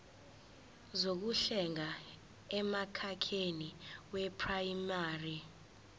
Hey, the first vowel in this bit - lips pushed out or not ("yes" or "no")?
yes